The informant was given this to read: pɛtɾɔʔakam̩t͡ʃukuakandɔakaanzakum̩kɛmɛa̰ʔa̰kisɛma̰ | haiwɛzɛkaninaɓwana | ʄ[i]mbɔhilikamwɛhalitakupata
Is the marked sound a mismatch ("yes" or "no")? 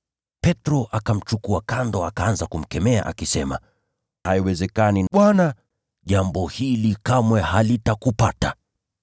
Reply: yes